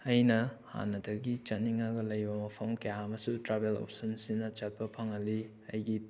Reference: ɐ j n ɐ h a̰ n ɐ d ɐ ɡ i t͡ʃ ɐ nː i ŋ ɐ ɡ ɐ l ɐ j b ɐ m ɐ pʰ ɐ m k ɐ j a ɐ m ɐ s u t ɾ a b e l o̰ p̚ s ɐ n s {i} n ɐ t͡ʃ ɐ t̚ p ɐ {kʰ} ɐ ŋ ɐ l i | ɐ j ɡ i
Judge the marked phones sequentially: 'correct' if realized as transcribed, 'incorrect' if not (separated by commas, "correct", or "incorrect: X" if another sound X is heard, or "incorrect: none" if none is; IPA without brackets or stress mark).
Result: correct, incorrect: pʰ